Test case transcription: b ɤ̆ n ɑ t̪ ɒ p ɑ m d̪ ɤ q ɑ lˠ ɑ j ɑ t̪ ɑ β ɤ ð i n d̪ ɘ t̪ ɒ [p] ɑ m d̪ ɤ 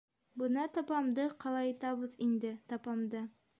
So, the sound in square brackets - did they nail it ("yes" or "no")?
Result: yes